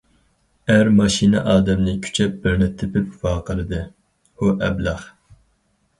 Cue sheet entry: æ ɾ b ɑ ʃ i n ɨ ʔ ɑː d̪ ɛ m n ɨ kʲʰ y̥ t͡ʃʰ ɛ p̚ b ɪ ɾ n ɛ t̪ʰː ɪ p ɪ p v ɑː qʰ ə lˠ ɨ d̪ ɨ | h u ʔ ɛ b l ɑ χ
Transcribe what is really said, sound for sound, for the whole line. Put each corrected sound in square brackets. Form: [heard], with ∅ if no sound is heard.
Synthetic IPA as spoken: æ ɾ [m] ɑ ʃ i n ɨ ʔ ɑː d̪ ɛ m n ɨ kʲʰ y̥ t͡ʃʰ ɛ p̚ b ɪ ɾ n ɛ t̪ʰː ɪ p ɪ p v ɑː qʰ ə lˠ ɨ d̪ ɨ | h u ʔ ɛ b l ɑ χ